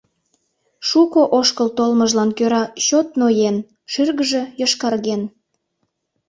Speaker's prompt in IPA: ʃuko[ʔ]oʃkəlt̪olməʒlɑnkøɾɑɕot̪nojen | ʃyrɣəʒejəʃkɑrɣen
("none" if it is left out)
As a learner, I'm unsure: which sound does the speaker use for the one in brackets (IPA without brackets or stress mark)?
ʔ